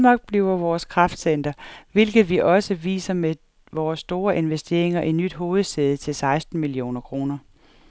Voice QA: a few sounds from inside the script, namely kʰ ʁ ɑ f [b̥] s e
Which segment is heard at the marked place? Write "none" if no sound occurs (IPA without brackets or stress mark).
d̥